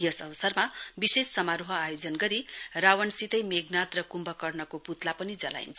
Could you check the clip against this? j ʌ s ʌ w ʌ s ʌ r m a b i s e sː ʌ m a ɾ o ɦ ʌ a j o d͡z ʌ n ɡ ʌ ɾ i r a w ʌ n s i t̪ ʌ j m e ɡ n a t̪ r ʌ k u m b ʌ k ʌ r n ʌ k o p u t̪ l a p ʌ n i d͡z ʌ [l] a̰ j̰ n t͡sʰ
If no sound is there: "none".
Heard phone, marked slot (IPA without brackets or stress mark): l